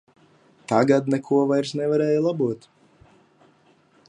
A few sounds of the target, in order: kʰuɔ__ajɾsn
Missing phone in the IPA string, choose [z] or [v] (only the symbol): v